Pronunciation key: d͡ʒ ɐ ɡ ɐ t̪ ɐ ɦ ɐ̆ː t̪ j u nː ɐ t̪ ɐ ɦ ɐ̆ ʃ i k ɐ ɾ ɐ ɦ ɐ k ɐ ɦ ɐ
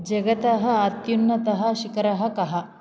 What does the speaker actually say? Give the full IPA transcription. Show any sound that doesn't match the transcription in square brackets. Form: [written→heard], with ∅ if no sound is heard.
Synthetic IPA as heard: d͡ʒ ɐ ɡ ɐ t̪ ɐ ɦ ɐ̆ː t̪ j u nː ɐ t̪ ɐ ɦ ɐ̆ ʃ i k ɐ ɾ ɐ ɦ ɐ k ɐ ɦ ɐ